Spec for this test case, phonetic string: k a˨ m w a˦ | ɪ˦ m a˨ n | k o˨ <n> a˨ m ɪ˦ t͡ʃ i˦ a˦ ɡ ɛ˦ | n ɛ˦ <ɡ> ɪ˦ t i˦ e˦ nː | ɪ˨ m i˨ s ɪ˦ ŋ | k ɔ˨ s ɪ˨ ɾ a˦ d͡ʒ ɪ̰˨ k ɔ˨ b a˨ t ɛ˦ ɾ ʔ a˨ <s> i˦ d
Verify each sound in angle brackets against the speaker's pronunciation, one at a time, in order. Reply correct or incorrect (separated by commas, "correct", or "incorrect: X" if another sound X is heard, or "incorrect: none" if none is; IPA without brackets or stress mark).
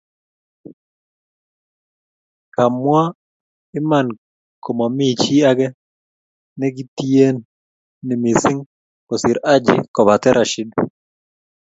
incorrect: m, correct, incorrect: ʃ